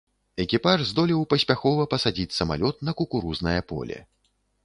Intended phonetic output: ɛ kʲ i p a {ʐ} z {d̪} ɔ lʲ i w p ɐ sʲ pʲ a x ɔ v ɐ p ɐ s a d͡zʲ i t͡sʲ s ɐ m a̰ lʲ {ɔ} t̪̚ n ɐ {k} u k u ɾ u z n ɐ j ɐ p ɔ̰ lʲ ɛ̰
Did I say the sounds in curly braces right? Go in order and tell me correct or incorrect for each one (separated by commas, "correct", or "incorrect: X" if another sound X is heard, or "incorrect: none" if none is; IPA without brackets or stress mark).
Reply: correct, correct, correct, correct